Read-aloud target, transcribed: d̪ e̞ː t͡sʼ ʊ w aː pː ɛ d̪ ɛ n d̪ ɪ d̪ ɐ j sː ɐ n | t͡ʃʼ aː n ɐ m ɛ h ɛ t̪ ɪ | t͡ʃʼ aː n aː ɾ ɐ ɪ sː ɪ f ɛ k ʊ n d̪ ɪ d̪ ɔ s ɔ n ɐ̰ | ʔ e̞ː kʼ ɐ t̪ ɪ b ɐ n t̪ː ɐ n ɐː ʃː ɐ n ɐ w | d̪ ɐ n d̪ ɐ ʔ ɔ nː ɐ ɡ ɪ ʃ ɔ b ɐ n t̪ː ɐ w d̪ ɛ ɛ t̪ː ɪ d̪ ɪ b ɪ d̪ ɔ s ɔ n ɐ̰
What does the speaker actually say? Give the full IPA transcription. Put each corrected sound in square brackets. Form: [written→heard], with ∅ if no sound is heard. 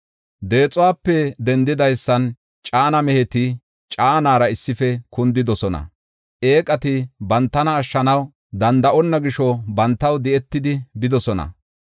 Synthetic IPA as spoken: d̪ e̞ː t͡sʼ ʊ w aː pː ɛ d̪ ɛ n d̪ ɪ d̪ ɐ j sː ɐ n | t͡ʃʼ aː n ɐ m ɛ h ɛ t̪ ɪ | t͡ʃʼ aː n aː ɾ ɐ ɪ sː ɪ f ɛ k ʊ n d̪ ɪ d̪ ɔ s ɔ n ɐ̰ | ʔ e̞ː kʼ ɐ t̪ ɪ b ɐ n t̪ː ɐ n ɐː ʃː ɐ n ɐ w | d̪ ɐ n d̪ ɐ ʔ ɔ nː ɐ ɡ ɪ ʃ ɔ b ɐ n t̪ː ɐ w d̪ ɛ ɛ t̪ː ɪ d̪ ɪ b ɪ d̪ ɔ s ɔ n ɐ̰

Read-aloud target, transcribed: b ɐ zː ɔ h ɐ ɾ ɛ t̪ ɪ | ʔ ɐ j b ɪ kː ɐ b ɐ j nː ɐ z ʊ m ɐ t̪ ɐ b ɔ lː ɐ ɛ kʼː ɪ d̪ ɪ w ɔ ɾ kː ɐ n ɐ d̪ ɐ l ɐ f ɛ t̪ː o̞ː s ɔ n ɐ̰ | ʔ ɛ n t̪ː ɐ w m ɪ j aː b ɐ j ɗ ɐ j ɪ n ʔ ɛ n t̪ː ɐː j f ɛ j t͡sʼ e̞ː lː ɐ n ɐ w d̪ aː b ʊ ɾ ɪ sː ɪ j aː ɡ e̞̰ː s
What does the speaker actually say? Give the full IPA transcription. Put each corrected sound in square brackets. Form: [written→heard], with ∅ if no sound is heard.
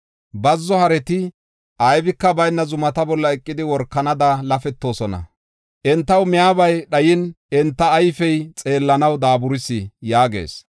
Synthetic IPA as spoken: b ɐ zː ɔ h ɐ ɾ ɛ t̪ ɪ | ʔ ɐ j b ɪ kː ɐ b ɐ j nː ɐ z ʊ m ɐ t̪ ɐ b ɔ lː ɐ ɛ kʼː ɪ d̪ ɪ w ɔ ɾ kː ɐ n ɐ d̪ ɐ l ɐ f ɛ t̪ː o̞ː s ɔ n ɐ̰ | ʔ ɛ n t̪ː ɐ w m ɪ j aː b ɐ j ɗ ɐ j ɪ n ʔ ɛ n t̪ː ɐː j f ɛ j t͡sʼ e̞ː lː ɐ n ɐ w d̪ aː b ʊ ɾ ɪ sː ɪ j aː ɡ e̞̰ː s

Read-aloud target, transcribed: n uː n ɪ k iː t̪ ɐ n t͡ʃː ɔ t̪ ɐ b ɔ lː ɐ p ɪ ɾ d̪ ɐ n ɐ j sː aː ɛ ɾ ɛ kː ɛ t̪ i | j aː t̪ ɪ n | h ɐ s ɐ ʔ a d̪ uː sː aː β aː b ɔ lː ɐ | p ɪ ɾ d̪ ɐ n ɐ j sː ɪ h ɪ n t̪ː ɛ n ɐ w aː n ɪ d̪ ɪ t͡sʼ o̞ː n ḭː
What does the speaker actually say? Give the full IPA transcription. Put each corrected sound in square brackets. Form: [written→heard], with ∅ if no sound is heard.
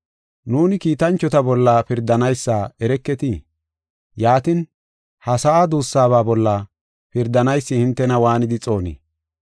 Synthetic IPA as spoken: n uː n ɪ k iː t̪ ɐ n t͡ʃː ɔ t̪ ɐ b ɔ lː ɐ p ɪ ɾ d̪ ɐ n ɐ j sː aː ɛ ɾ ɛ kː ɛ t̪ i | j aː t̪ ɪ n | h ɐ s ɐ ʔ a d̪ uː sː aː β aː b ɔ lː ɐ | p ɪ ɾ d̪ ɐ n ɐ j sː ɪ h ɪ n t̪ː ɛ n ɐ w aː n ɪ d̪ ɪ t͡sʼ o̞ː n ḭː

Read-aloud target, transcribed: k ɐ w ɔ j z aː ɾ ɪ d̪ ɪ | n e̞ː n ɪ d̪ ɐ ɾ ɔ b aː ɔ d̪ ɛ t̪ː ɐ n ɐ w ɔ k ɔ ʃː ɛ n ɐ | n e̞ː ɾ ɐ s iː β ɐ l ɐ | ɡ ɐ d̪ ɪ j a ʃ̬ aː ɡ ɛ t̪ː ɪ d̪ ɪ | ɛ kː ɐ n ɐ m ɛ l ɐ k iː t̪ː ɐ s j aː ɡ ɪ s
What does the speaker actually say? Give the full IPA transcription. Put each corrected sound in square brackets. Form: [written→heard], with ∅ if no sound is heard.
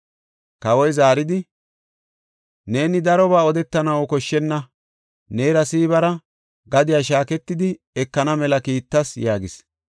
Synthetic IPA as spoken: k ɐ w ɔ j z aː ɾ ɪ d̪ ɪ | n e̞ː n ɪ d̪ ɐ ɾ ɔ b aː ɔ d̪ ɛ t̪ː ɐ n ɐ w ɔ k ɔ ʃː ɛ [n→nː] ɐ | n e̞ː ɾ ɐ s iː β ɐ [l→ɾ] ɐ | ɡ ɐ d̪ ɪ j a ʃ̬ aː [ɡ→k] ɛ t̪ː ɪ d̪ ɪ | ɛ kː ɐ n ɐ m ɛ l ɐ k iː t̪ː ɐ s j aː ɡ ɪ s

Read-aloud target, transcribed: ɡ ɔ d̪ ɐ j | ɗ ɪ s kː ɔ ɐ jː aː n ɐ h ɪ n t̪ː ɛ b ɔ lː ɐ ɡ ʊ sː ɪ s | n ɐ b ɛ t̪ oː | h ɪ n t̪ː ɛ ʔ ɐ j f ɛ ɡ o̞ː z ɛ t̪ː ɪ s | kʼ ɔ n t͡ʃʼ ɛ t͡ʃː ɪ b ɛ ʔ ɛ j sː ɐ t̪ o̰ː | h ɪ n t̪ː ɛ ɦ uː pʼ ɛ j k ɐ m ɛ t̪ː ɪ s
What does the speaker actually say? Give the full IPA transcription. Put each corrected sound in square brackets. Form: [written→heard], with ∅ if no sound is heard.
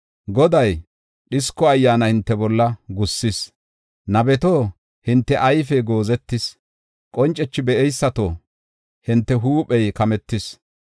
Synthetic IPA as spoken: ɡ ɔ d̪ ɐ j | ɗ ɪ s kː ɔ ɐ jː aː n ɐ h ɪ n t̪ː ɛ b ɔ lː ɐ ɡ ʊ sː ɪ s | n ɐ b ɛ t̪ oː | h ɪ n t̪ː ɛ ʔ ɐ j f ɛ ɡ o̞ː z ɛ t̪ː ɪ s | kʼ ɔ n t͡ʃʼ ɛ t͡ʃː ɪ b ɛ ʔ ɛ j sː ɐ t̪ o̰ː | h ɪ n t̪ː ɛ ɦ uː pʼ ɛ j k ɐ m ɛ t̪ː ɪ s

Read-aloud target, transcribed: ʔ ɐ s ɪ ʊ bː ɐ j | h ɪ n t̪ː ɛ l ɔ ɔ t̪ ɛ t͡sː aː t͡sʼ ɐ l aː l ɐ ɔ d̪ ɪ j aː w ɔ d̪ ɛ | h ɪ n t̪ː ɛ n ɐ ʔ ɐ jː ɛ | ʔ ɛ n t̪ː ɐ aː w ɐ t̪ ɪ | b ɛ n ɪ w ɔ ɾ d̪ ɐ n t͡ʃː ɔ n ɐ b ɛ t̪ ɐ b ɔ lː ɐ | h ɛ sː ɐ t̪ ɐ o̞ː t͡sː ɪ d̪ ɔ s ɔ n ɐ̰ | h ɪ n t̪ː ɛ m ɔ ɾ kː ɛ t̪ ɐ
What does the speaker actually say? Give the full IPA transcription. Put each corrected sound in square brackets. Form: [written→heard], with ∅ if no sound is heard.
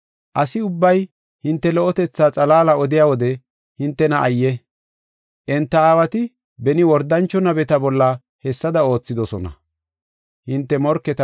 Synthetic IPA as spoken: ʔ ɐ s ɪ ʊ bː ɐ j | h ɪ n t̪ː ɛ l ɔ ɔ t̪ ɛ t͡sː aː t͡sʼ ɐ l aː l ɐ ɔ d̪ ɪ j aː w ɔ d̪ ɛ | h ɪ n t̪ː ɛ n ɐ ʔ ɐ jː ɛ | ʔ ɛ n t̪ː ɐ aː w ɐ t̪ ɪ | b ɛ n ɪ w ɔ ɾ d̪ ɐ n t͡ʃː ɔ n ɐ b ɛ t̪ ɐ b ɔ lː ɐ | h ɛ sː ɐ [t̪→d̪] ɐ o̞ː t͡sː ɪ d̪ ɔ s ɔ n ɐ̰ | h ɪ n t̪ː ɛ m ɔ ɾ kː ɛ t̪ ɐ

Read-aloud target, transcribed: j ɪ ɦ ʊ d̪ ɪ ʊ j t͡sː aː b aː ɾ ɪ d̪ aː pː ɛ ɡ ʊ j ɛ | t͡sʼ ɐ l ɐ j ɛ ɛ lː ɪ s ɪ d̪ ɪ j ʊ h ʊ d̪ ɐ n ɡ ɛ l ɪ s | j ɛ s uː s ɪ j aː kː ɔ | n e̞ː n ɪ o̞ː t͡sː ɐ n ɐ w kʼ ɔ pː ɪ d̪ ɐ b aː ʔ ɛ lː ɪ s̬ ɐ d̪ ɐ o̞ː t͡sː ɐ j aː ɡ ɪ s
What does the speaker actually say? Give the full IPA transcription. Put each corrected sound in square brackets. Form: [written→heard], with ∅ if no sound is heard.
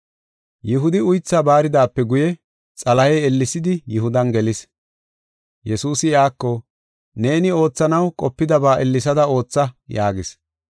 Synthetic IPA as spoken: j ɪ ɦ ʊ d̪ ɪ ʊ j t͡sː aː b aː ɾ ɪ d̪ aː pː ɛ ɡ ʊ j ɛ | t͡sʼ ɐ l ɐ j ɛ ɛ lː ɪ s ɪ d̪ ɪ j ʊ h ʊ d̪ ɐ n ɡ ɛ l ɪ s | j ɛ s uː s ɪ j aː kː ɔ | n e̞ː n ɪ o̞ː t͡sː ɐ n ɐ w kʼ ɔ pː ɪ d̪ ɐ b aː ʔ ɛ lː ɪ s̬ ɐ d̪ ɐ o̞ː t͡sː ɐ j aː ɡ ɪ s

